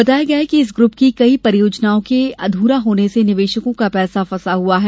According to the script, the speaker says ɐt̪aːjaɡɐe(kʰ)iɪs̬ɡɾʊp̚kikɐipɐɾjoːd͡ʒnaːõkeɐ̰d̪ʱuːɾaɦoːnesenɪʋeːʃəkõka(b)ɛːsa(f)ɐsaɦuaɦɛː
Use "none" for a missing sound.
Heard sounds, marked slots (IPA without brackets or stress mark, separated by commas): k, p, f